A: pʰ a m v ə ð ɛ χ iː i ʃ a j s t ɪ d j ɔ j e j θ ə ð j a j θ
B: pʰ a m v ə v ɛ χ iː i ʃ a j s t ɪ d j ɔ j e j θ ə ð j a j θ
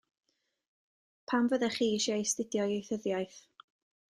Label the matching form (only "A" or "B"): A